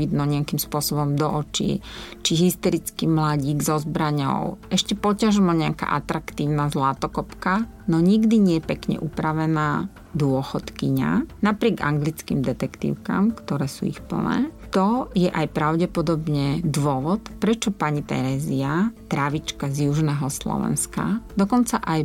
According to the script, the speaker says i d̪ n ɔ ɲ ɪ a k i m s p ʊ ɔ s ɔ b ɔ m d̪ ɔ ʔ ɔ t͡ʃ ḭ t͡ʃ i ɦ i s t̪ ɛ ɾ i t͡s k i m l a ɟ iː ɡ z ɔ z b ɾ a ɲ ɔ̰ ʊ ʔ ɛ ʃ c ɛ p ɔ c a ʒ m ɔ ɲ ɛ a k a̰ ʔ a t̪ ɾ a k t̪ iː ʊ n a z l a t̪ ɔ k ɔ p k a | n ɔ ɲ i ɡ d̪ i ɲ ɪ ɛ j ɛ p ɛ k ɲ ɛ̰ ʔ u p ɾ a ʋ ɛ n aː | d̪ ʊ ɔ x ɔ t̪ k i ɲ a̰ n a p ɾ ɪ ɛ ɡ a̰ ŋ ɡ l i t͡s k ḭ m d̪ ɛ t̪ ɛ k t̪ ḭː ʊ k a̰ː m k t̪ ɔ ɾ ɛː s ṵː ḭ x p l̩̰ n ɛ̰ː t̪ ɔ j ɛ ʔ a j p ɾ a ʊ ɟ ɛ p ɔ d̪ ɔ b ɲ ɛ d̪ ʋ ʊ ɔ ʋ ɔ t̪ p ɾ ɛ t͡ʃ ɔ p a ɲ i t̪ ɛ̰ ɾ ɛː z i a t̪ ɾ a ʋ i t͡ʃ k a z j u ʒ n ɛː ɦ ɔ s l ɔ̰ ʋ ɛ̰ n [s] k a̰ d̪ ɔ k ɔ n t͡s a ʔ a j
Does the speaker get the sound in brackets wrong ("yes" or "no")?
no